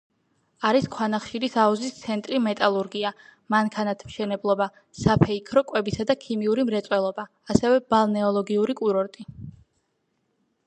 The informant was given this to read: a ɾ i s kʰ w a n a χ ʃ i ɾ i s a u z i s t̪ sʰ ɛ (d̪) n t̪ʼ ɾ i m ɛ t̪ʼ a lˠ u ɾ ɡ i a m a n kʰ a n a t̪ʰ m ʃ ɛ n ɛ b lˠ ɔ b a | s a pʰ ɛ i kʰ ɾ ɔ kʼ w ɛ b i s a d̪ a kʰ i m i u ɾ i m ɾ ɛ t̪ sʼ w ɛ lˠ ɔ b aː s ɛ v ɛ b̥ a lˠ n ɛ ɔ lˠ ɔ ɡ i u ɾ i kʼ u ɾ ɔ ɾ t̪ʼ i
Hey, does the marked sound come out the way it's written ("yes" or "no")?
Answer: no